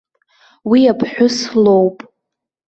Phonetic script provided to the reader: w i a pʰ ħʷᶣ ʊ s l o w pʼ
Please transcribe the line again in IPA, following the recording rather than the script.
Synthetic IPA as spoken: w i a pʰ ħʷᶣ ʊ s l o w pʼ

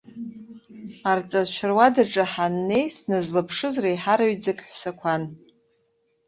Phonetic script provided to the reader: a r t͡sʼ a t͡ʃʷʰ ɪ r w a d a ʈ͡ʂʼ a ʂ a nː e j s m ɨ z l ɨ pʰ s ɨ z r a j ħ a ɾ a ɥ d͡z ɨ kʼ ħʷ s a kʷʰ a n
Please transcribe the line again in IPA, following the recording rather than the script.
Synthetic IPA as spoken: a r t͡sʼ a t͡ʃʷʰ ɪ r w a d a ʈ͡ʂʼ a ħ a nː e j s n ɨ z l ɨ pʰ ʂ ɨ z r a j ħ a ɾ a ɥ d͡z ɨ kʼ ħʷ s a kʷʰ a n

